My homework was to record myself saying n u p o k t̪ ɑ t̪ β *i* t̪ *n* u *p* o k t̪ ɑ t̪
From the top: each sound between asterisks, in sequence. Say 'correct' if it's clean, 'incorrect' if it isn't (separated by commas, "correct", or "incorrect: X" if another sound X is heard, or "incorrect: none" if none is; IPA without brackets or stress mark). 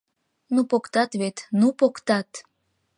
incorrect: e, correct, correct